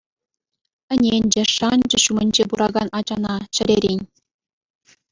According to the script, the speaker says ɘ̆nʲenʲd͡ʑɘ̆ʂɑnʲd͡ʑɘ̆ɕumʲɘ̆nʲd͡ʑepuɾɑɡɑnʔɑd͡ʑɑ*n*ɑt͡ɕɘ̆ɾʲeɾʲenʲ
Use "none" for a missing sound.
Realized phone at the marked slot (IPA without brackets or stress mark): n